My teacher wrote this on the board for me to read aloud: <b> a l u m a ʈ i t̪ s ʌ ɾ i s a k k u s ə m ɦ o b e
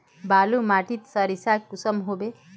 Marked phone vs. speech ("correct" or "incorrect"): correct